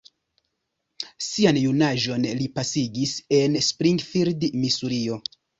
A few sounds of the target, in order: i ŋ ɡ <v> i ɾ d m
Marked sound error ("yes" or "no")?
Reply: yes